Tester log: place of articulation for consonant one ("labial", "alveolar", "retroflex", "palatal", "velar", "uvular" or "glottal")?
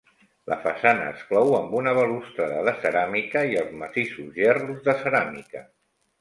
alveolar